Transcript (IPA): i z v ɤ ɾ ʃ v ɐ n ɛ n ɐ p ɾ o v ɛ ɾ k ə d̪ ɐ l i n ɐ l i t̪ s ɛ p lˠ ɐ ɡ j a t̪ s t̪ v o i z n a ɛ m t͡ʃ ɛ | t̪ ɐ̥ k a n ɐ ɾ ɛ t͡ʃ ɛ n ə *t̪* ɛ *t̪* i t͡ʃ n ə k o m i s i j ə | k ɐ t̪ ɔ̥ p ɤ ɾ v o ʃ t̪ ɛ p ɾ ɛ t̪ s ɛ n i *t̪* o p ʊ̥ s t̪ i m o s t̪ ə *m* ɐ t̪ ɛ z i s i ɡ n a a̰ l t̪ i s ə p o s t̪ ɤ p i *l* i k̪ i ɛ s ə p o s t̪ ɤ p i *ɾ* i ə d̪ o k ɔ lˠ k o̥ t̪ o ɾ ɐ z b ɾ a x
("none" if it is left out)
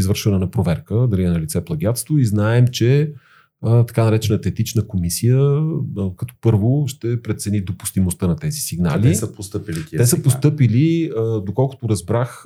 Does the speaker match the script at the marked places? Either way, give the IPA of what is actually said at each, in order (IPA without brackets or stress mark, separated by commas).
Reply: t̪, t̪, d̪, n, l, l